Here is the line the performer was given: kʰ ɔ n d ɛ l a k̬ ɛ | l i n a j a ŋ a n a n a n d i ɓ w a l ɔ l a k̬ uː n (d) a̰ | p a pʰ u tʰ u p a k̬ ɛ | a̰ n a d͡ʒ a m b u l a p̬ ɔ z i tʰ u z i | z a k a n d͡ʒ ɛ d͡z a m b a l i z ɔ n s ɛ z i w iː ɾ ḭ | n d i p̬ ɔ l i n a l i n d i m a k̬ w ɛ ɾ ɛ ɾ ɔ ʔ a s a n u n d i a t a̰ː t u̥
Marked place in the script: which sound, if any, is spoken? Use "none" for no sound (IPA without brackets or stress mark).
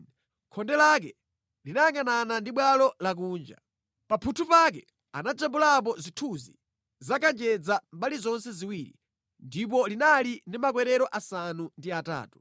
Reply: d͡ʒ